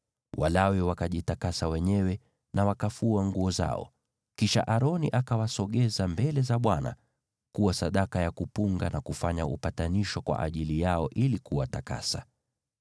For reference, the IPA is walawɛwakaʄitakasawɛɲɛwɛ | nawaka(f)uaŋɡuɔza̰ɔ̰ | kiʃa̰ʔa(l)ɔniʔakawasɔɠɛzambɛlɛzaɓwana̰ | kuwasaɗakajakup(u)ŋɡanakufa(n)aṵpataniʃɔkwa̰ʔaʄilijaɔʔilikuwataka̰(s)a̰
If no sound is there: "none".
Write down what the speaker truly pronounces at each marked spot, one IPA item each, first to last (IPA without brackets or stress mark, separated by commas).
f, ɾ, u, ɲ, s